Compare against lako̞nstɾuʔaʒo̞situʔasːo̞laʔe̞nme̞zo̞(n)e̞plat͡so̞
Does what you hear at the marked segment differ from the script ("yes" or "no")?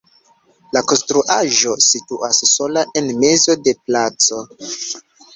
yes